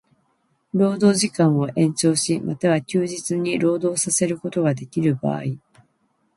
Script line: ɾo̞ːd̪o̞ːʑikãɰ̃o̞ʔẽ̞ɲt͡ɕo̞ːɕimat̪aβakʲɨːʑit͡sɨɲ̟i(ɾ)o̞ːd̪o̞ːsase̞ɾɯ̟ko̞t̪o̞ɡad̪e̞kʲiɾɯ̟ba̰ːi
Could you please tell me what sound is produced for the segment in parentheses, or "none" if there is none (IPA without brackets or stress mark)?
ɾ